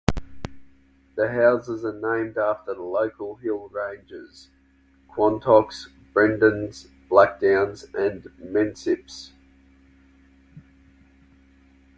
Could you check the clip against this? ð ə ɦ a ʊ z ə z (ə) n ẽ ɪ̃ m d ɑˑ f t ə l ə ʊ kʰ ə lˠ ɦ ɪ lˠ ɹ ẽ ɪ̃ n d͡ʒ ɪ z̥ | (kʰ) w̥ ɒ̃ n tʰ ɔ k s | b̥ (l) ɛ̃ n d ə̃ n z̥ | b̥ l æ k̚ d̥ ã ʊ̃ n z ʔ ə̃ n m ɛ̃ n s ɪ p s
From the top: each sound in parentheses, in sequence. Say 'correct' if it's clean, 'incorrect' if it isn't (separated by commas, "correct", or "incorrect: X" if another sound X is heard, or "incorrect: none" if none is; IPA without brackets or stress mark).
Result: correct, correct, incorrect: ɹ